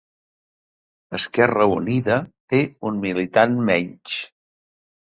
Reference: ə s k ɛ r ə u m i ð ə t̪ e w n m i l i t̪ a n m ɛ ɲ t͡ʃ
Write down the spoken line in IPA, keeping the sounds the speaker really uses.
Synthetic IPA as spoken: ə s k ɛ r ə u n i ð ə t̪ e u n m i l i t̪ a n m ɛ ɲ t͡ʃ